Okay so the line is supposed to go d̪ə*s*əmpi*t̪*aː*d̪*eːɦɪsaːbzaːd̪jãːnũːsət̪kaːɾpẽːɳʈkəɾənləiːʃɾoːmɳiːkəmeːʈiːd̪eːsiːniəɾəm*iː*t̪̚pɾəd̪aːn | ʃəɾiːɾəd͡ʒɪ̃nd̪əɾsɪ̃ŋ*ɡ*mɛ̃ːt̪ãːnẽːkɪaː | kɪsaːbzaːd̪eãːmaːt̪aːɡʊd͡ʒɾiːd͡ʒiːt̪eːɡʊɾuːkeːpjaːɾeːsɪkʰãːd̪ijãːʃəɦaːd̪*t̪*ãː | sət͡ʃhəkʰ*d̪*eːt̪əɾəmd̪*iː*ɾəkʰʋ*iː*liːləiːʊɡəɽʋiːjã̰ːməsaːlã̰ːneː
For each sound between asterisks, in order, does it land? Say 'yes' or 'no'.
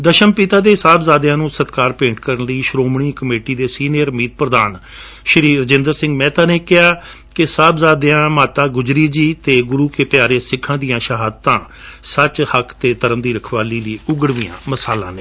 no, yes, yes, yes, yes, yes, no, yes, no

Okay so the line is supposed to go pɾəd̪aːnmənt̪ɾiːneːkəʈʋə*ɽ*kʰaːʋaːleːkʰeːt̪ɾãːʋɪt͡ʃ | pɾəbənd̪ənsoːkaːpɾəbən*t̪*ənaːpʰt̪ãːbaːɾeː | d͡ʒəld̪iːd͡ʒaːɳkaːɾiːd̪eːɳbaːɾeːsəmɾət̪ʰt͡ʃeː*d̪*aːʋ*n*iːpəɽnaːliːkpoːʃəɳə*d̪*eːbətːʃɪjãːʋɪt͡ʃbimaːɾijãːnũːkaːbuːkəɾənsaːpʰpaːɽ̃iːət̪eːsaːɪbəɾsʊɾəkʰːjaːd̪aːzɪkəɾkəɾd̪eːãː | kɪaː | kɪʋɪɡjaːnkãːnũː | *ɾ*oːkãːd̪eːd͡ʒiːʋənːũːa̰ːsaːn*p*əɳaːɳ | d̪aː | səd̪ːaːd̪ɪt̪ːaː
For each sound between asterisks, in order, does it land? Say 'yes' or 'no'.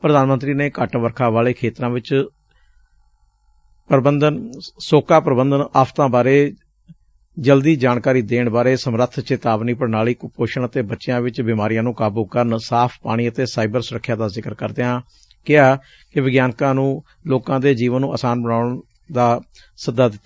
no, no, no, yes, no, no, no

